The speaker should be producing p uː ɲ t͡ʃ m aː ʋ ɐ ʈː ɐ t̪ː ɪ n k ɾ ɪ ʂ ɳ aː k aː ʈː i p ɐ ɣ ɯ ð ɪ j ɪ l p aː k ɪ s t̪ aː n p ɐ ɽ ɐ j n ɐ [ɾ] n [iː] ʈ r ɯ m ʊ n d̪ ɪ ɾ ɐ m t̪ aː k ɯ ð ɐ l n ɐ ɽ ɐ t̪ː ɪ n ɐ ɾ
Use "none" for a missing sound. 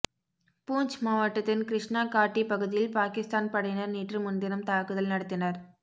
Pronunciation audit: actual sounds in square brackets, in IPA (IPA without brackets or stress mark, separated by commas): ɾ, iː